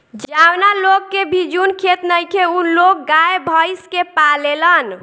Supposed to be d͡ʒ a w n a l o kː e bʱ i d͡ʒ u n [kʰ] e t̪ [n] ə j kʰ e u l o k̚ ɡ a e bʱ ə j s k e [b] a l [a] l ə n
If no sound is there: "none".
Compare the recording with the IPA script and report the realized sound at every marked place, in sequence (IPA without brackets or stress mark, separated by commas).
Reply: kʰ, n, p, e